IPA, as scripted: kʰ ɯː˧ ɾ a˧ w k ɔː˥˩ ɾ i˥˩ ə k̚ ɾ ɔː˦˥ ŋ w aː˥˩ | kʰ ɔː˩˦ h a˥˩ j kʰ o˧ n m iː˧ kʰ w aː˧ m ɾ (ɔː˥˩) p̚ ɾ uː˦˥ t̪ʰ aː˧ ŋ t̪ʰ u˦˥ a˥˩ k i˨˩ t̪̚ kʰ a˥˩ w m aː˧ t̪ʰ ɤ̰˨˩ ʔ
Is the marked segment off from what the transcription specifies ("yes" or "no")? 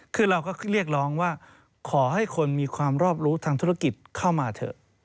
no